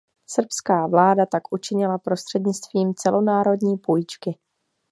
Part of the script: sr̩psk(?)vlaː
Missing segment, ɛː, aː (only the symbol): aː